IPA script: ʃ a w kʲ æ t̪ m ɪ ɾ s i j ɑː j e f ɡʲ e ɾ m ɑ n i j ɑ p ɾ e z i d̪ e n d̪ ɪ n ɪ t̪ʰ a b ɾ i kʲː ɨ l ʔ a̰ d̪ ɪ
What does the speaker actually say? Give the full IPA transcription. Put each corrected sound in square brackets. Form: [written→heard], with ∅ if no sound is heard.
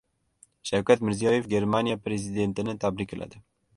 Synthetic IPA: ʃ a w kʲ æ t̪ m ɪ ɾ [s→z] i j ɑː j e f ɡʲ e ɾ m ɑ n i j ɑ p ɾ e z i d̪ e n [d̪→t̪] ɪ n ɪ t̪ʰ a b ɾ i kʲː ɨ l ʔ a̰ d̪ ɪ